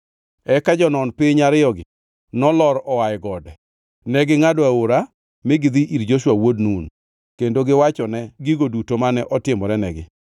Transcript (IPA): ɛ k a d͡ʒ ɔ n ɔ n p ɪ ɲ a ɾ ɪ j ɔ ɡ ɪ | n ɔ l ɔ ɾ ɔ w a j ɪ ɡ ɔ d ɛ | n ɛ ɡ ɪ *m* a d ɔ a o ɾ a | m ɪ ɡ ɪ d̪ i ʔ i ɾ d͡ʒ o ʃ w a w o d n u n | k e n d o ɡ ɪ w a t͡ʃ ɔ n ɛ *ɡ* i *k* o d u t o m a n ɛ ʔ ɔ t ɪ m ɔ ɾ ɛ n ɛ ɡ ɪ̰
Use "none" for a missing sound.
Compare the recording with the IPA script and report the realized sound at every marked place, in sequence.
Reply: ŋ, ɡ, ɡ

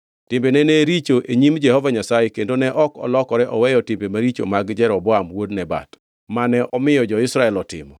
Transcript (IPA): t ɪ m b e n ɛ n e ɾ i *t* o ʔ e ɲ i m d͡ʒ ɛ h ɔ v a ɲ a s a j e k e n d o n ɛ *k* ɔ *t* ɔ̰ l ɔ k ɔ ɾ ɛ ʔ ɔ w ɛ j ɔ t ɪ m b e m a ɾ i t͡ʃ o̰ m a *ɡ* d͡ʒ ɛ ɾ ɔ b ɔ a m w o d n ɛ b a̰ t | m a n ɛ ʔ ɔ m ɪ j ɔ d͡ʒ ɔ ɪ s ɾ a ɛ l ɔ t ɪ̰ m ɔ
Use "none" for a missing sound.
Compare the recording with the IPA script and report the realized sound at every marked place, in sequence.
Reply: t͡ʃ, ʔ, k, ɡ

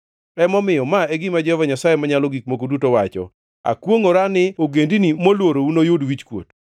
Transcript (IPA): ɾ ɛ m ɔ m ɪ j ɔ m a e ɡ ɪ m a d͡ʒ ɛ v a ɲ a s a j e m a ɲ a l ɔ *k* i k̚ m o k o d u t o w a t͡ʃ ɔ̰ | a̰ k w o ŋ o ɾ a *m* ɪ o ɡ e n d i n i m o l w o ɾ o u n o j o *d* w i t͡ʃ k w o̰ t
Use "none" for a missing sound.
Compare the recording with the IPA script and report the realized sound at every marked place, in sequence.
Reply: ɡ, n, d

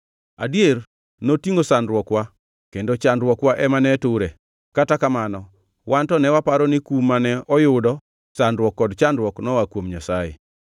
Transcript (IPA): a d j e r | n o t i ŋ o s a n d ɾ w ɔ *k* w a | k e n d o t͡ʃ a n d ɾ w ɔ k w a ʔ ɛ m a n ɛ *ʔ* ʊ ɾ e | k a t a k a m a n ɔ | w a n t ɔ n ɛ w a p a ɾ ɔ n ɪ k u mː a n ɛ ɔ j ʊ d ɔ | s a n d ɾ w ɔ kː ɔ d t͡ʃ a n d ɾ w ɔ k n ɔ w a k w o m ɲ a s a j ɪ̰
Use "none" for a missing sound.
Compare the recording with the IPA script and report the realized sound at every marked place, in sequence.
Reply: k, t

